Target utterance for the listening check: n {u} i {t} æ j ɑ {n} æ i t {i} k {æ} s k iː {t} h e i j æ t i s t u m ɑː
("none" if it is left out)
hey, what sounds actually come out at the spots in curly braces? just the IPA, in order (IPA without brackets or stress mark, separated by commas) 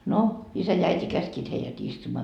o, s, none, i, æ, t